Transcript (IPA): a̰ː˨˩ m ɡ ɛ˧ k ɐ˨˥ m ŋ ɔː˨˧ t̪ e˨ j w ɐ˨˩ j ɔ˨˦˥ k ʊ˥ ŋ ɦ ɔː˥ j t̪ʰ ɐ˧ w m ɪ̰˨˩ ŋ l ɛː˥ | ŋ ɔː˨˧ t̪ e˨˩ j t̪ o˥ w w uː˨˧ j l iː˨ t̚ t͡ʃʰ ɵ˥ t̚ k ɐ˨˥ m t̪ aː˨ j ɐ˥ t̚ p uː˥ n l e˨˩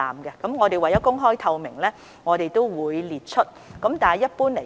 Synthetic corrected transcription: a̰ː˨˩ m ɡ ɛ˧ k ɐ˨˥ m ŋ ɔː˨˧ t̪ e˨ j w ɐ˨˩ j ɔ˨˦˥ k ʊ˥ ŋ ɦ ɔː˥ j t̪ʰ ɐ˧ w m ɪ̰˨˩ ŋ l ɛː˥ | ŋ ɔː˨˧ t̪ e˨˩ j t̪ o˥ w w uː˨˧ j l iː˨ t̚ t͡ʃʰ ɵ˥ t̚ k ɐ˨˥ m t̪ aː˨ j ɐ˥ t̚ p uː˥ n l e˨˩

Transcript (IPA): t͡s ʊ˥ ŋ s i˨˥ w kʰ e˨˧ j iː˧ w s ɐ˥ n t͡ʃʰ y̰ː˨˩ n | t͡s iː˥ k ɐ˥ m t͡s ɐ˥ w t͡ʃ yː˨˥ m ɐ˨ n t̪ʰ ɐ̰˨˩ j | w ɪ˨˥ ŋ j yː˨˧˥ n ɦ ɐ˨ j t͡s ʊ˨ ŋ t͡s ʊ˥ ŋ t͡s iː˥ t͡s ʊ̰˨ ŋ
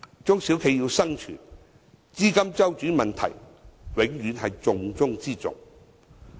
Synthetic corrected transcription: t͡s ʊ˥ ŋ s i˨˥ w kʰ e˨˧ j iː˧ w s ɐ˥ ŋ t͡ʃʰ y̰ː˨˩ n | t͡s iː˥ k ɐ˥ m t͡s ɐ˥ w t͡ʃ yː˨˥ m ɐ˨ n t̪ʰ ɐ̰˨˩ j | w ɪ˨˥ ŋ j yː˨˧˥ n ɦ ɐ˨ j t͡s ʊ˨ ŋ t͡s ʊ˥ ŋ t͡s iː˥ t͡s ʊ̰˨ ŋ

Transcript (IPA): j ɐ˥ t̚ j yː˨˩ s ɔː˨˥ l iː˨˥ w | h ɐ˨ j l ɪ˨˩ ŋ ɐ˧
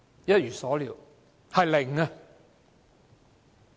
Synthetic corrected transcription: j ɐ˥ t̚ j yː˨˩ s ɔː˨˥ l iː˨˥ w | h ɐ˨ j l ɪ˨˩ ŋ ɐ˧

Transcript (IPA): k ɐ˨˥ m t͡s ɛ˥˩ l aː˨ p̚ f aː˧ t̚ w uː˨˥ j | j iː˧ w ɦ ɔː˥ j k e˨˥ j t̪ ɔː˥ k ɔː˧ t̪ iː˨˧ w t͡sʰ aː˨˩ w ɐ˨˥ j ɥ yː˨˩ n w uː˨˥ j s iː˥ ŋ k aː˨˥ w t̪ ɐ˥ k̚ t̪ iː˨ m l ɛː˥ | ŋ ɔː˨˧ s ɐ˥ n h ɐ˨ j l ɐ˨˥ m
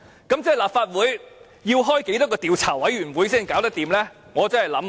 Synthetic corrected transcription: k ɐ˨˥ m t͡s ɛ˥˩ l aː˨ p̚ f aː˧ t̚ w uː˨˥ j | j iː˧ w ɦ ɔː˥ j k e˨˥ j t̪ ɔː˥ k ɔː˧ t̪ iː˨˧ w t͡sʰ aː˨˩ w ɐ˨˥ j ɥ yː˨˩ n w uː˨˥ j s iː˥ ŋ k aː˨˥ w t̪ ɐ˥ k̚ t̪ iː˨ m l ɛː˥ | ŋ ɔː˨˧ t͡s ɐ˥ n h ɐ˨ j l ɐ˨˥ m

